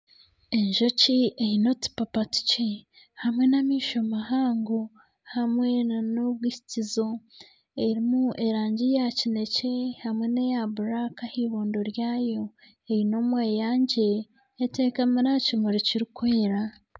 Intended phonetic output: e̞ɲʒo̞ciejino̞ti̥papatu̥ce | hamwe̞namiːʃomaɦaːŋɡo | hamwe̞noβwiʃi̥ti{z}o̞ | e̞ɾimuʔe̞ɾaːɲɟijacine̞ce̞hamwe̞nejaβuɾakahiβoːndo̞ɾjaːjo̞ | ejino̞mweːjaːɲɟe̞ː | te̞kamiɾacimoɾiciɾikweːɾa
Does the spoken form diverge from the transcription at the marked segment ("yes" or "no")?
no